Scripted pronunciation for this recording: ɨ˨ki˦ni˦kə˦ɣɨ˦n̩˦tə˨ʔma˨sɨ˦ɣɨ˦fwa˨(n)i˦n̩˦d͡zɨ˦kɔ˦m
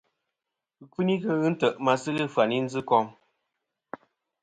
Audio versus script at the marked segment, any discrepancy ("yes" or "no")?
no